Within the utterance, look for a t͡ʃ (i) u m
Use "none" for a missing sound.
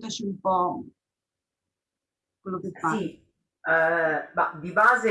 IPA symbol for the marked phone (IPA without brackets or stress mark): i